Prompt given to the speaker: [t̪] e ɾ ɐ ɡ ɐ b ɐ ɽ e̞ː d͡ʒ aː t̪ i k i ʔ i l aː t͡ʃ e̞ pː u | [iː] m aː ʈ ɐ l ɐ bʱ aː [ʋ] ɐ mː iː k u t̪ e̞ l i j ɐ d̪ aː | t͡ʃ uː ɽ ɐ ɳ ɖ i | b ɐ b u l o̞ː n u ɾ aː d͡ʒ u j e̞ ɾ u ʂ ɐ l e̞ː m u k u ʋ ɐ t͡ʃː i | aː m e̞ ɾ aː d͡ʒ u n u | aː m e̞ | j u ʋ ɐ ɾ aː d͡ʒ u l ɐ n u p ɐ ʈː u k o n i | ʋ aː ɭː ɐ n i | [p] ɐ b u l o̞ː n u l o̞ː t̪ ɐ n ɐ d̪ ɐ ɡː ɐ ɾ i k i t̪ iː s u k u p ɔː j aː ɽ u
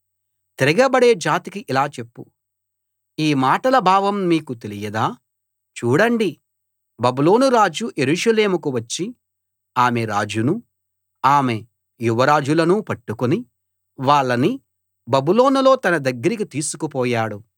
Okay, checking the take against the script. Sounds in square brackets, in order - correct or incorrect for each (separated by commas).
correct, correct, correct, incorrect